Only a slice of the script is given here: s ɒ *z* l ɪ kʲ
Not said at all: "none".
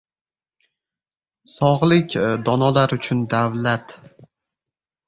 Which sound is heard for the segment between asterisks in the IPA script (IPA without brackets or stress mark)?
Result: ʁ